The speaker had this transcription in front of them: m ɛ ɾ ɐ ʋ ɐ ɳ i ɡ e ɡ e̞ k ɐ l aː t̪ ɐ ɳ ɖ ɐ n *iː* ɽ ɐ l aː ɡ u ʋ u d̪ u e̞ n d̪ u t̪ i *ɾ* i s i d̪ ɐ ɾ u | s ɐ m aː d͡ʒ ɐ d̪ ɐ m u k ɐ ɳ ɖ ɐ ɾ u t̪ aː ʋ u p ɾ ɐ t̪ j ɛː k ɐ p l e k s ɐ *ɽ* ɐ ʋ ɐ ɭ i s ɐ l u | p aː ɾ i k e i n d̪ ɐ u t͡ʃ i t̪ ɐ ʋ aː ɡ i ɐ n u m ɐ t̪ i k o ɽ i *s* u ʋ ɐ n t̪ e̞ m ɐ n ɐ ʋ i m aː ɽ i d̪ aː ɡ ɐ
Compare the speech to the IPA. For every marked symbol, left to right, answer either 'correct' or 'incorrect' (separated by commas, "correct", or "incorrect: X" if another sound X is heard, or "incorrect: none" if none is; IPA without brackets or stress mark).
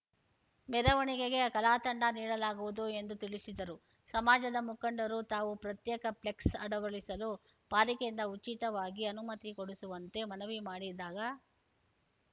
correct, incorrect: ɭ, correct, correct